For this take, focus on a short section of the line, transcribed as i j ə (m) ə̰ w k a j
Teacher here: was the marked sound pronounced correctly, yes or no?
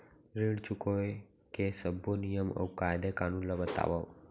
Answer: yes